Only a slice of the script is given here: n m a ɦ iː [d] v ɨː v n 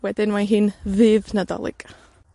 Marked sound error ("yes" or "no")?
yes